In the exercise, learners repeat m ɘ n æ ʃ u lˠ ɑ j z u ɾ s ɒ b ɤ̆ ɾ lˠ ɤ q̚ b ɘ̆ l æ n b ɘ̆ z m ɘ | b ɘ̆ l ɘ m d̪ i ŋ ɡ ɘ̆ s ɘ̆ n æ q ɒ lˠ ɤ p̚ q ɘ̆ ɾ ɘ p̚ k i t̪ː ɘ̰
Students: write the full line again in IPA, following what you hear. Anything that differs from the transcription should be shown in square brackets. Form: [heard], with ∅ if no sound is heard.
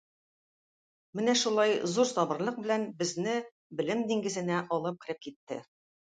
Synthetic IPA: m ɘ n æ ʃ u lˠ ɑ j z u ɾ s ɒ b ɤ̆ ɾ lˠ ɤ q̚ b ɘ̆ l æ n b ɘ̆ z [n] ɘ | b ɘ̆ l ɘ m d̪ i ŋ ɡ ɘ̆ [z] ɘ̆ n æ [ʔ] ɒ lˠ ɤ p̚ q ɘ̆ ɾ ɘ p̚ k i t̪ː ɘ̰